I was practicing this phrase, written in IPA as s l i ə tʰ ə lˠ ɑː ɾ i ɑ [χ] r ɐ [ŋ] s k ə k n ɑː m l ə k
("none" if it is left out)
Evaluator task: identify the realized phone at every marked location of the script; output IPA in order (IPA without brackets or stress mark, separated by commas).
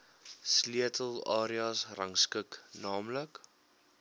s, ŋ